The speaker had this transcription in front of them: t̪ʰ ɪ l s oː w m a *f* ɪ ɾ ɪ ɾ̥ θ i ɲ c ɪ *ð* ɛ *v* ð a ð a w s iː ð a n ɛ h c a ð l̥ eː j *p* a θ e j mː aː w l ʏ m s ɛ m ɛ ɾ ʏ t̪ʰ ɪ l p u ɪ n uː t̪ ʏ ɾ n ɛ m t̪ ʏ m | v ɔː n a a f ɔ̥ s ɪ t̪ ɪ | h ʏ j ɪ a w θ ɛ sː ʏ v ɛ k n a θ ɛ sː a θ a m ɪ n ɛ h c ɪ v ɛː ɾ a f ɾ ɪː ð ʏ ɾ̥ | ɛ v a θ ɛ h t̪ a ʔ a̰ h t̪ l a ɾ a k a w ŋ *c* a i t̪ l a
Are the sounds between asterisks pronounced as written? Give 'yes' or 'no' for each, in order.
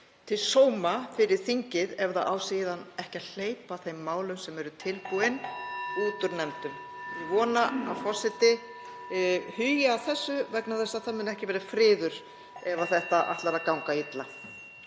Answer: yes, yes, yes, yes, no

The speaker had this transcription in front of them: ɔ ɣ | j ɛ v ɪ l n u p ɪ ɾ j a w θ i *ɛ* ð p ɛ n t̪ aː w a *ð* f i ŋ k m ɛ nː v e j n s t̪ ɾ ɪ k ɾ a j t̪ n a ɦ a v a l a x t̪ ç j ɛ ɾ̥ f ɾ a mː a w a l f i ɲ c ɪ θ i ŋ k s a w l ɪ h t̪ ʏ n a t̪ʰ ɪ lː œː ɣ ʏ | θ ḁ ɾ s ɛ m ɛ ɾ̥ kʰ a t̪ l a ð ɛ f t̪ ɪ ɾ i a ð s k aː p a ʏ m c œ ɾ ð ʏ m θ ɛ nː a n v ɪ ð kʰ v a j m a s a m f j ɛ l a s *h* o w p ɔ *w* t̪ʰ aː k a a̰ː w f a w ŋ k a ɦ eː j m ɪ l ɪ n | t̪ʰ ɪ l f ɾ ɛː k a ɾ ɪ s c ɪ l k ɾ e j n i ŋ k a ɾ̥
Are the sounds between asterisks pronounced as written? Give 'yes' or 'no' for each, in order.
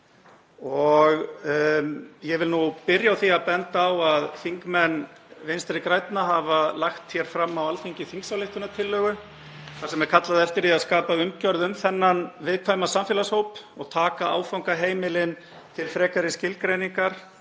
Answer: no, yes, yes, no

